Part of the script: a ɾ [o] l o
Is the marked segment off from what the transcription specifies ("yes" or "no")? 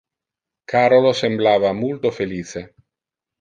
no